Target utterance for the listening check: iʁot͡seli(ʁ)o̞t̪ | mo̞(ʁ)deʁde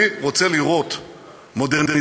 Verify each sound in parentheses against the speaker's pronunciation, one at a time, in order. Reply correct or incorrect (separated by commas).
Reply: correct, incorrect